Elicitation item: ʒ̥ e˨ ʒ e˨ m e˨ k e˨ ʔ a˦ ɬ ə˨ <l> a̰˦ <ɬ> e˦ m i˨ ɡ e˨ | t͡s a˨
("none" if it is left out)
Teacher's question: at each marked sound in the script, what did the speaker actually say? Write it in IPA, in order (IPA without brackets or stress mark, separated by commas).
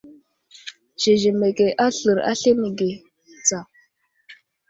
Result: ɾ, ɬ